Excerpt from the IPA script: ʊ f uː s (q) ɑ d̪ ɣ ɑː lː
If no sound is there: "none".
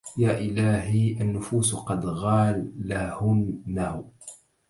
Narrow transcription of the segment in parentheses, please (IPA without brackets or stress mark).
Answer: q